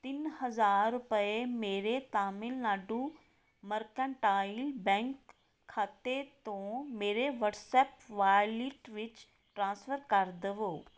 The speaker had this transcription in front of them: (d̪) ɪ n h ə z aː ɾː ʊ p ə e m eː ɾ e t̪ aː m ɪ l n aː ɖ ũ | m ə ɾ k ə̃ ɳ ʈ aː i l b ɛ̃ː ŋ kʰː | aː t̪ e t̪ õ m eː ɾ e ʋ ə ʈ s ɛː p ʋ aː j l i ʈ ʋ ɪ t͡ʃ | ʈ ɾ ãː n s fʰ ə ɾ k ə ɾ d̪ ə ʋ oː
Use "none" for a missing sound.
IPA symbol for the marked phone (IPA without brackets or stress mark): t̪